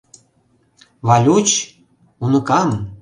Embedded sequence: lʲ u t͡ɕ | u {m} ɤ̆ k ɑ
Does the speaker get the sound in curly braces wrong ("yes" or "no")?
yes